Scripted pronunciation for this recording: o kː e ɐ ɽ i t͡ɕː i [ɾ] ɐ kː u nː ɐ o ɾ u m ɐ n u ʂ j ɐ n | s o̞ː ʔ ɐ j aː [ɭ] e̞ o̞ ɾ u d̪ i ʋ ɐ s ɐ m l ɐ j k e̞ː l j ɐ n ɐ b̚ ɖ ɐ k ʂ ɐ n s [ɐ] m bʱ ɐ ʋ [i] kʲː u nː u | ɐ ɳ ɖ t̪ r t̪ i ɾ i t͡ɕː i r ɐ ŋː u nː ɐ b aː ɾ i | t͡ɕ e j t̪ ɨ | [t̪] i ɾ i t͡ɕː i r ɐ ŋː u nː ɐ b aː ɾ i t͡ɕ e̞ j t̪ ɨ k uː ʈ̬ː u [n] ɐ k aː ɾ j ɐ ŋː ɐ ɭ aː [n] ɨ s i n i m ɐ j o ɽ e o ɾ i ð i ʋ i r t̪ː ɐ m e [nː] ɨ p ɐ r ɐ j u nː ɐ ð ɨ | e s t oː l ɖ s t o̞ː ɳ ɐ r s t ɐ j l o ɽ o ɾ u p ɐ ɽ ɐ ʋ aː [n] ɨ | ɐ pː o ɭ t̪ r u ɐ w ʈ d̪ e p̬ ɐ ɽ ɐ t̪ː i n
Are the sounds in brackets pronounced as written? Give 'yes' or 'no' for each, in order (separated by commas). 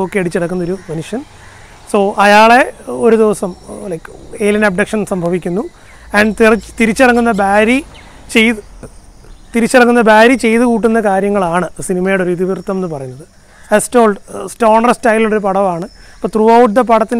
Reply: no, yes, yes, yes, yes, no, no, yes, no